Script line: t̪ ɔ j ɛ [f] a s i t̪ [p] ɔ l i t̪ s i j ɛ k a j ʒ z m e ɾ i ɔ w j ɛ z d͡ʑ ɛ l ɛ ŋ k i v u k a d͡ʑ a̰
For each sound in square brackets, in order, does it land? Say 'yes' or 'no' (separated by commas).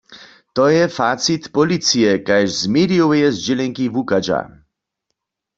yes, yes